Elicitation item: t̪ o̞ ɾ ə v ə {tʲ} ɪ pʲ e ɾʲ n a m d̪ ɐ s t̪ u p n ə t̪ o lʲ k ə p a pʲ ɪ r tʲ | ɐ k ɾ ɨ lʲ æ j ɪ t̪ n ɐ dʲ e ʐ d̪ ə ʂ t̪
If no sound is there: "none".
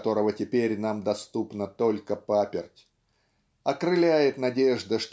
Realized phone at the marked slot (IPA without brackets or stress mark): tʲ